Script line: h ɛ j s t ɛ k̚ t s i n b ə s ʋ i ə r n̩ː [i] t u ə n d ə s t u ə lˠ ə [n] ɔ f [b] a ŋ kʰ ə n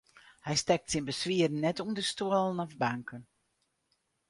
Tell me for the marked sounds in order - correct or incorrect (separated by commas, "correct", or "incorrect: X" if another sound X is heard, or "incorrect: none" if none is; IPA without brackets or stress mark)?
incorrect: ɛ, correct, correct